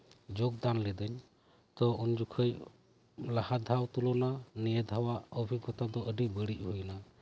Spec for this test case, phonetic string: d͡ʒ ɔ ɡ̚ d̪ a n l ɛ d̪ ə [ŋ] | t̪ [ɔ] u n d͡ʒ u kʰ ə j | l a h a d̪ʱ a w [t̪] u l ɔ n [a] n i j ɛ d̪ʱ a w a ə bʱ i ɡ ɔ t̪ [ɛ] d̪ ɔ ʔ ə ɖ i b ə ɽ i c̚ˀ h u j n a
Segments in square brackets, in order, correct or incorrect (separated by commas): incorrect, correct, correct, correct, incorrect